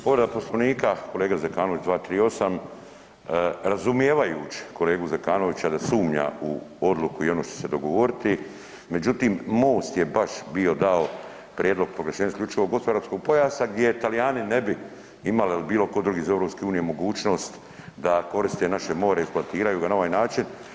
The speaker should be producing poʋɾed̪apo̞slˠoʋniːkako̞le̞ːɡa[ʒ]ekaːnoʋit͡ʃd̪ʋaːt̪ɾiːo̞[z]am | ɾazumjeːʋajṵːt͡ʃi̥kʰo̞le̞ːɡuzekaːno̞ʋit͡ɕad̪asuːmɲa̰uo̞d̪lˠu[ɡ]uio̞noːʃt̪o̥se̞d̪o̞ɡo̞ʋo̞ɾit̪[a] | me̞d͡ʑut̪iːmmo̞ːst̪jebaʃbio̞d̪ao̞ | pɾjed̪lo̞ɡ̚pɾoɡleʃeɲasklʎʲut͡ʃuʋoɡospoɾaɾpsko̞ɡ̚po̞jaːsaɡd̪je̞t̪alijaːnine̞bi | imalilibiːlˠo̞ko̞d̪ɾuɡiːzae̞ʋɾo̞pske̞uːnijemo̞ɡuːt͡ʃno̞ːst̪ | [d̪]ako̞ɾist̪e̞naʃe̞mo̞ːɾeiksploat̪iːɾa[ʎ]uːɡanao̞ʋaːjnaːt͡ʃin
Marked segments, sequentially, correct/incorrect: incorrect: z, incorrect: s, incorrect: k, incorrect: i, correct, incorrect: j

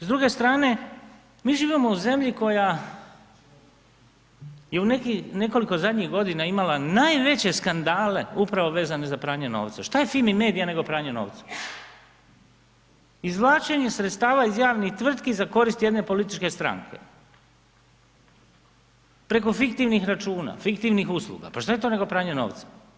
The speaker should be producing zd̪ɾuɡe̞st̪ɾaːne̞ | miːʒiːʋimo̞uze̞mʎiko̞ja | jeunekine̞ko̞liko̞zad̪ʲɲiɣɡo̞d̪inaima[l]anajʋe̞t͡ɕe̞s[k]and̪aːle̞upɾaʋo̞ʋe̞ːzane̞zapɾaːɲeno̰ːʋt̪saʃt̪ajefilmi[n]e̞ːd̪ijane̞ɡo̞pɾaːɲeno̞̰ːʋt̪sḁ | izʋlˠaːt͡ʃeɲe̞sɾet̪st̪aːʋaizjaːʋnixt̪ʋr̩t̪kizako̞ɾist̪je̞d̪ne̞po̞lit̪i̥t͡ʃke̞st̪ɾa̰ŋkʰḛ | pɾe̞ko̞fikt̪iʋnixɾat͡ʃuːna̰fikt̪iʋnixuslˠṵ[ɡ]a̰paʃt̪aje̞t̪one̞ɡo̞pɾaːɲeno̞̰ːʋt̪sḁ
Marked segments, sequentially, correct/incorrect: correct, correct, incorrect: m, correct

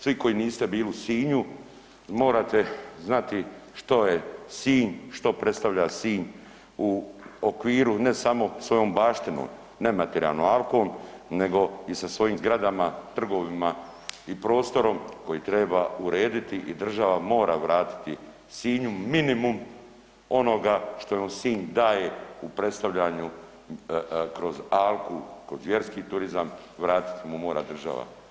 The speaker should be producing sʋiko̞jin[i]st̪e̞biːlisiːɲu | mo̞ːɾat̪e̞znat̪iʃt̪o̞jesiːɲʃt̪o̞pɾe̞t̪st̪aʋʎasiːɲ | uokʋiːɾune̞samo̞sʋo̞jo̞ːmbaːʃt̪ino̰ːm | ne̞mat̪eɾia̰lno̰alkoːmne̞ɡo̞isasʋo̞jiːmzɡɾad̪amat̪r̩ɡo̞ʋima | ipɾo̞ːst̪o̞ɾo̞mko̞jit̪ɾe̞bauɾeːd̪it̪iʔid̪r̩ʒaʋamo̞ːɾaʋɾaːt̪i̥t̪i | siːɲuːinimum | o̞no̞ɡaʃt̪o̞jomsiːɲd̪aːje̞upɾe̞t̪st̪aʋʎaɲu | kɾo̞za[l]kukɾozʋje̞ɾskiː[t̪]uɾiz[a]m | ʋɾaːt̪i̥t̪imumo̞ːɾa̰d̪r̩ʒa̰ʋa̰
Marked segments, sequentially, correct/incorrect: incorrect: iː, correct, correct, correct

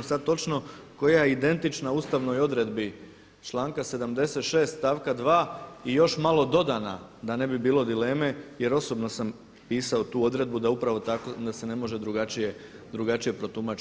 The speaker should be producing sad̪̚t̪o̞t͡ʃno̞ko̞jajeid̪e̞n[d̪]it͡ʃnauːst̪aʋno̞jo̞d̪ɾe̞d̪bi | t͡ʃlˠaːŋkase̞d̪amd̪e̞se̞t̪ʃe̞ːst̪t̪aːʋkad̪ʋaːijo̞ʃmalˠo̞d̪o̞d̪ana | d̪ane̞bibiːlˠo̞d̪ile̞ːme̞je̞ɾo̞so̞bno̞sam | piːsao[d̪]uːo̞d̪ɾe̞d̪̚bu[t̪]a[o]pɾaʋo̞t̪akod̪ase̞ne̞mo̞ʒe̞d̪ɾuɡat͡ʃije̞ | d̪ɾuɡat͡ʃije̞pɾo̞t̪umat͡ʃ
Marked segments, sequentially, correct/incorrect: incorrect: t̪, incorrect: t̪, incorrect: d̪, incorrect: u

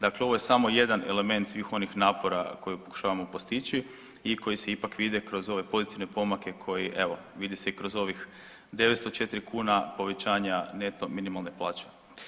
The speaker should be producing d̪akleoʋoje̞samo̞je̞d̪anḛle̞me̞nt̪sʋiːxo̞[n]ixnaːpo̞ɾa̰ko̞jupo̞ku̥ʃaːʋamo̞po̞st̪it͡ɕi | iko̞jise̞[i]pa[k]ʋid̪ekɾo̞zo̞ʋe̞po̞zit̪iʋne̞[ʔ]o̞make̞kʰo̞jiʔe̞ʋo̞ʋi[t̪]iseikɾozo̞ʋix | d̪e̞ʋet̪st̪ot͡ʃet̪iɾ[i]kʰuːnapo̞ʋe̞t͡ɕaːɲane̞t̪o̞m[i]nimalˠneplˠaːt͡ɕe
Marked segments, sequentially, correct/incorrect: correct, correct, correct, incorrect: p, incorrect: d̪, correct, correct

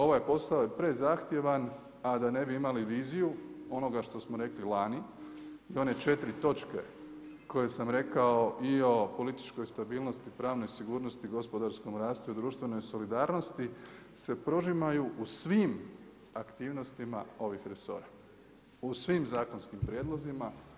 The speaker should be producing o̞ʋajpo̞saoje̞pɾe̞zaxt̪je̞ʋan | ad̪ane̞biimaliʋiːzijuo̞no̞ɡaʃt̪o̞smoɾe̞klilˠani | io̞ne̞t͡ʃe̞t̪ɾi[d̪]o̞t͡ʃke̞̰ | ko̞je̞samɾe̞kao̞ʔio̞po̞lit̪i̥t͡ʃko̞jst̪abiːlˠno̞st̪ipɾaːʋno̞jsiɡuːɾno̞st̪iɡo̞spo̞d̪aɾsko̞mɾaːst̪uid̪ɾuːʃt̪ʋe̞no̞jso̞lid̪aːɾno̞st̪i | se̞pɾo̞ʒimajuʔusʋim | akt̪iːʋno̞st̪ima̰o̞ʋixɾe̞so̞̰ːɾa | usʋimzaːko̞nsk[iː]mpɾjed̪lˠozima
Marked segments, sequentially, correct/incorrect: incorrect: t̪, incorrect: i

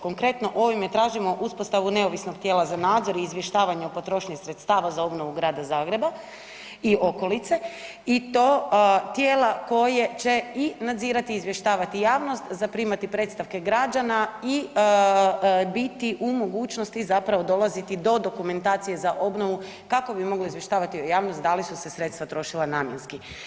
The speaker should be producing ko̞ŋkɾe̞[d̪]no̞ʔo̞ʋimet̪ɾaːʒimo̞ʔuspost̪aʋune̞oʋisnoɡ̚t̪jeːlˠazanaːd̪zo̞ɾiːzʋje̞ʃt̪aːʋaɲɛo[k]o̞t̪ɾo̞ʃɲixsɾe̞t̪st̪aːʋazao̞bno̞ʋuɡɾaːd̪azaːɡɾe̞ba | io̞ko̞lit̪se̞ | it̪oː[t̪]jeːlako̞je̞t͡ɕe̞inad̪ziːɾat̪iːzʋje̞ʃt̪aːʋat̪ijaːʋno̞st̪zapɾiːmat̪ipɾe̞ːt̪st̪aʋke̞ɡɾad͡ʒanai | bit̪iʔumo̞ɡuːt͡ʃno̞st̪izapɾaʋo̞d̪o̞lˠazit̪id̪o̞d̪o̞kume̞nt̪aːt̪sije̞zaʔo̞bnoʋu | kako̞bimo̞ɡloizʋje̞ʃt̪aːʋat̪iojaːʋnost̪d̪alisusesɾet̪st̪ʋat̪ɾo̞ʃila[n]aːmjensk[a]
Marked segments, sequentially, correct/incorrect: incorrect: t̪, incorrect: p, correct, correct, incorrect: i

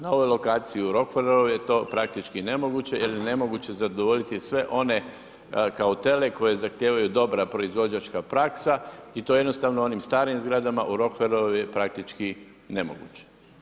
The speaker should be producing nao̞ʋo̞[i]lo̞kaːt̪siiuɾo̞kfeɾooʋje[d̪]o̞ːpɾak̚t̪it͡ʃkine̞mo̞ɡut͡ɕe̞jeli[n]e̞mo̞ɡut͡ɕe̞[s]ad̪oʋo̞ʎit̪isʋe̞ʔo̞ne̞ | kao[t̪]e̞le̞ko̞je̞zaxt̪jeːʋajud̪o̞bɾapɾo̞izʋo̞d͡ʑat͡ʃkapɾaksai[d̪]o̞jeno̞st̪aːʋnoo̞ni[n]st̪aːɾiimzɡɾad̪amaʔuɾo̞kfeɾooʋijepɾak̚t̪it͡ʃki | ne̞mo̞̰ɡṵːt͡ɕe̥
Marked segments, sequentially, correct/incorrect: incorrect: j, incorrect: t̪, correct, incorrect: z, correct, incorrect: t̪, incorrect: m

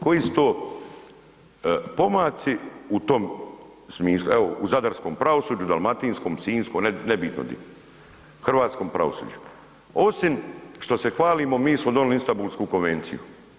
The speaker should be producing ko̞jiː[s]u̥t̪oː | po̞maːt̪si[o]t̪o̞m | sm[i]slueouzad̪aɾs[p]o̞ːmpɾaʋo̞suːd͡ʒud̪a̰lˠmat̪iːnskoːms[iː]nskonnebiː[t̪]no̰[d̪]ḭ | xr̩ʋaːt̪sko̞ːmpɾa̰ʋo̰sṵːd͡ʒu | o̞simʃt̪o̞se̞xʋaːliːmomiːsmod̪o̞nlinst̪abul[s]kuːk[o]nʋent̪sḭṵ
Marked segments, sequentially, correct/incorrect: correct, incorrect: u, incorrect: iː, incorrect: k, correct, correct, correct, correct, correct

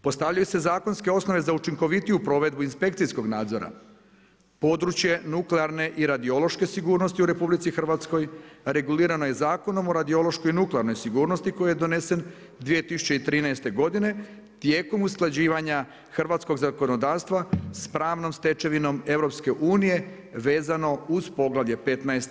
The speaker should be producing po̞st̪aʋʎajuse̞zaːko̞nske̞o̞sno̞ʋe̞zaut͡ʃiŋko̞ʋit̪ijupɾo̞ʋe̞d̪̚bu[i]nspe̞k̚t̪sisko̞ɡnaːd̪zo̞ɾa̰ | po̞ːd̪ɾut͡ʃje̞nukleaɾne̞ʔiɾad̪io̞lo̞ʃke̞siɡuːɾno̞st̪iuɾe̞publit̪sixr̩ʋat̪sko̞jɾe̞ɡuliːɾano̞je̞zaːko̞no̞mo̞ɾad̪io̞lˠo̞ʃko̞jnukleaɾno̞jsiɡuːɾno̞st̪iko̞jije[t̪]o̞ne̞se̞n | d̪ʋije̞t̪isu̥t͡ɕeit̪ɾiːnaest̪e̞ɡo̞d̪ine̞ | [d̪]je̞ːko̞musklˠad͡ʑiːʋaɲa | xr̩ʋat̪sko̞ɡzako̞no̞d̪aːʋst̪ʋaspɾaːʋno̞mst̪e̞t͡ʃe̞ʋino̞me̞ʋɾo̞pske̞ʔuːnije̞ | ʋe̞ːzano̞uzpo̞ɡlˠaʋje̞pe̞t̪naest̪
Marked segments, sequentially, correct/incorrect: correct, incorrect: d̪, incorrect: t̪

